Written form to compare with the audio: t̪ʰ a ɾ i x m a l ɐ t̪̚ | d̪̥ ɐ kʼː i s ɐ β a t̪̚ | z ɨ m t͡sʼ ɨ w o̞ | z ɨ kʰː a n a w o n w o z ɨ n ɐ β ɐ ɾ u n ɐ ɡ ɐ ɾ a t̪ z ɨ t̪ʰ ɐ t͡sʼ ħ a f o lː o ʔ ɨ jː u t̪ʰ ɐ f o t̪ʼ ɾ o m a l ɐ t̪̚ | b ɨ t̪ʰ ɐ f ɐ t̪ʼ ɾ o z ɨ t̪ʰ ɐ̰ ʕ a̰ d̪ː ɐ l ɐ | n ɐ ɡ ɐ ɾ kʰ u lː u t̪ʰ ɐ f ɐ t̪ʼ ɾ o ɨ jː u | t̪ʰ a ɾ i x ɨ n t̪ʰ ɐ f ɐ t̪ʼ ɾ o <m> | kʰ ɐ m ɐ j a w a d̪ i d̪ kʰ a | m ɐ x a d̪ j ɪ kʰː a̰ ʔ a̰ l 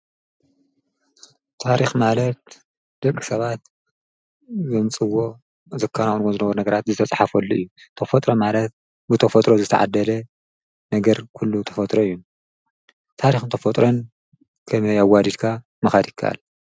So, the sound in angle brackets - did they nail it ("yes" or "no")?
no